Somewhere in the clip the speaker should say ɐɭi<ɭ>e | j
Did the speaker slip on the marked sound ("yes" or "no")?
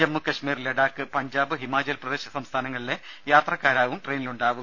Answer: yes